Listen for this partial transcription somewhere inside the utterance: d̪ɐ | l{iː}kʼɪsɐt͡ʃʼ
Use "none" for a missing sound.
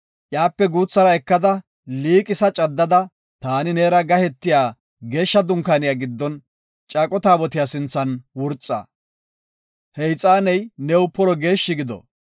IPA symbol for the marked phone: iː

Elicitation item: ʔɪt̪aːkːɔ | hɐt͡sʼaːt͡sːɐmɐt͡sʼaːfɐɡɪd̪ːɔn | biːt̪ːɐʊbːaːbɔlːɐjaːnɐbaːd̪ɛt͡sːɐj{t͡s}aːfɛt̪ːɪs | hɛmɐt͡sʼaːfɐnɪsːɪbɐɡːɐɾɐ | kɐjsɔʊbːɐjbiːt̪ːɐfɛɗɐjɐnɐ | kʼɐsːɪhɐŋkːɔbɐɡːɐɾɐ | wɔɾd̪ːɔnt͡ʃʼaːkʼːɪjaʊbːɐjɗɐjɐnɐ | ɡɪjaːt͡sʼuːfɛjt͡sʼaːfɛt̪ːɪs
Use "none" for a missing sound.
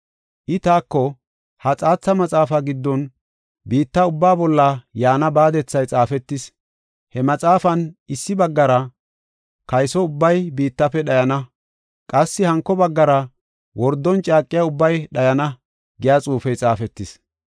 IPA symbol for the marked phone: t͡sʼ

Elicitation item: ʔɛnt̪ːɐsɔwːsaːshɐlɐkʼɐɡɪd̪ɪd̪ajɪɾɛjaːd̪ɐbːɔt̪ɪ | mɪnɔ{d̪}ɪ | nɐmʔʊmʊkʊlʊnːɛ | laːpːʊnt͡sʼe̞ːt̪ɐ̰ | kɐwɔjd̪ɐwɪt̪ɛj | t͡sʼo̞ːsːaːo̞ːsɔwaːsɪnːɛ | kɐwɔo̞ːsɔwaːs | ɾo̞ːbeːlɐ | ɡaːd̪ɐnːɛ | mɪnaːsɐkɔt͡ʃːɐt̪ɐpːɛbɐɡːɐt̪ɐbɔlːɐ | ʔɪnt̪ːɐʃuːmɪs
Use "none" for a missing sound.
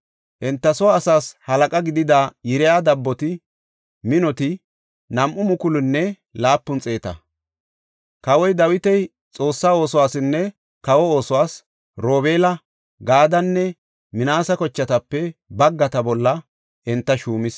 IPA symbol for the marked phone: t̪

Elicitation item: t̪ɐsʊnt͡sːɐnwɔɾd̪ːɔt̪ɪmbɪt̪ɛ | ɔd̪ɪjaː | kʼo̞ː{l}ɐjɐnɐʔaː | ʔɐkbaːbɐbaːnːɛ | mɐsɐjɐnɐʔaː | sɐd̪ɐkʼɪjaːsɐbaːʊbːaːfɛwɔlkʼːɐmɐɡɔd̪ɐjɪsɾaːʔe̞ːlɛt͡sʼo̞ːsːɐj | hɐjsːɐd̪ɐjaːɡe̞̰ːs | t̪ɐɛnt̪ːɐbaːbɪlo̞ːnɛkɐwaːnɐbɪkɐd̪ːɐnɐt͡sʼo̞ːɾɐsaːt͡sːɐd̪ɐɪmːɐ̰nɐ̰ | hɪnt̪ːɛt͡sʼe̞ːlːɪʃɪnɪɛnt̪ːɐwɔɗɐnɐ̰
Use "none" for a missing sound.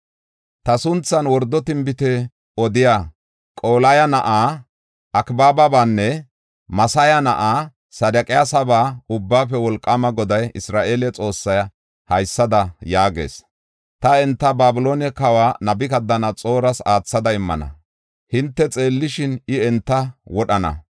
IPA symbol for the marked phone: l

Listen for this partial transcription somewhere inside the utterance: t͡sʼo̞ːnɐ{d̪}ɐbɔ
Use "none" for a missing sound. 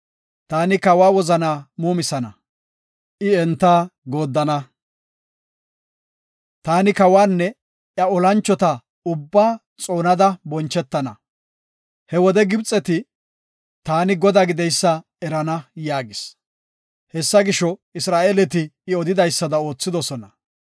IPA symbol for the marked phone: d̪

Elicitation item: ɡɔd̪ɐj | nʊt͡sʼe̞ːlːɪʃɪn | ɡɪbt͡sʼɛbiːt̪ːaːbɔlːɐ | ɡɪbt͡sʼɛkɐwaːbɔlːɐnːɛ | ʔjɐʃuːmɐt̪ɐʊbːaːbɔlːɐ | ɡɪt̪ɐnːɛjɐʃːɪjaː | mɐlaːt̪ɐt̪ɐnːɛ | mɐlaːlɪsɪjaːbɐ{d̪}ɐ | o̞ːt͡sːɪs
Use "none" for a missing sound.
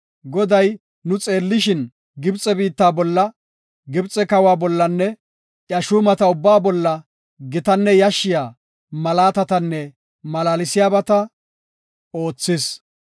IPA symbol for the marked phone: t̪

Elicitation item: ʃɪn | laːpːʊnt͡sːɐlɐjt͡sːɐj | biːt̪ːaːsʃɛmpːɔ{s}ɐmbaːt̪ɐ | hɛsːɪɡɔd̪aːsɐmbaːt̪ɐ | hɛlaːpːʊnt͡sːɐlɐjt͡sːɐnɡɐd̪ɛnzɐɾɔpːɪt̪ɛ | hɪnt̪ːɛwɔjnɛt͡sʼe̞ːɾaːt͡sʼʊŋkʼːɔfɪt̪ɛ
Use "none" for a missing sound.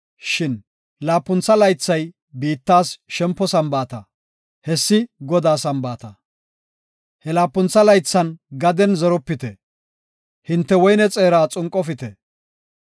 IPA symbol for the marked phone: s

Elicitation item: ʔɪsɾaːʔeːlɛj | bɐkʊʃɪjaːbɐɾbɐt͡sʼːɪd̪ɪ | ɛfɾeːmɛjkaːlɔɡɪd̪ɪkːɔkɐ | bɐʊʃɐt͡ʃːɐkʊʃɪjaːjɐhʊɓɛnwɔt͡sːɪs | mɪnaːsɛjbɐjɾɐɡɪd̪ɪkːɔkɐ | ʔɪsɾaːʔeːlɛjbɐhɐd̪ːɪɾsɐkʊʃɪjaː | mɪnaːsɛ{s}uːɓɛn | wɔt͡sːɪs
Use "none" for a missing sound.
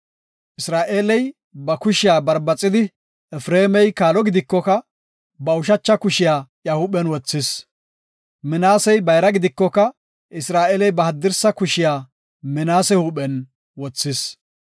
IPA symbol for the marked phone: h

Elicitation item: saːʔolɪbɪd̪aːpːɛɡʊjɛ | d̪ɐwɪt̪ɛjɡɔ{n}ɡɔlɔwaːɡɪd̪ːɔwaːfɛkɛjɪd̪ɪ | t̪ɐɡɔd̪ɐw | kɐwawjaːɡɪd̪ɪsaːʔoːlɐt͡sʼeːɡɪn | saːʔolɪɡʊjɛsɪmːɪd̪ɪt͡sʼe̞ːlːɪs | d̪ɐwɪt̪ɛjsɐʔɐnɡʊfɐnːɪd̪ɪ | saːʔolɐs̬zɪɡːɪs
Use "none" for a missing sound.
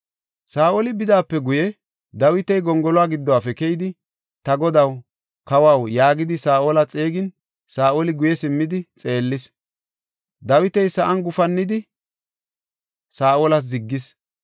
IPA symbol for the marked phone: ŋ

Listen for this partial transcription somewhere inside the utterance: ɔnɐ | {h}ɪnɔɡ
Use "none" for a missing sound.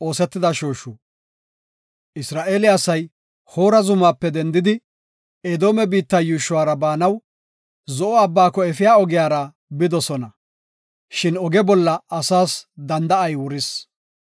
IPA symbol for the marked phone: ʃ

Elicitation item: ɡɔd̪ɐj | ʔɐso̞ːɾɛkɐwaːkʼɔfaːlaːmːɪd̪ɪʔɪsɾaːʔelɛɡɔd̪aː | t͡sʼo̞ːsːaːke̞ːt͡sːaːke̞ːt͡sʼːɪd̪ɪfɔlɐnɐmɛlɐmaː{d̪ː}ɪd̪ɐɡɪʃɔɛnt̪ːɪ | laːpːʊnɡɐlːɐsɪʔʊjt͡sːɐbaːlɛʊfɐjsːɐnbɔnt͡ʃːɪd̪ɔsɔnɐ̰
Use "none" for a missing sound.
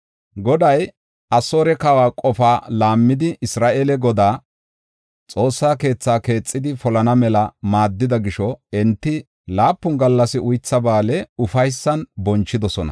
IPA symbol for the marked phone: d̪ː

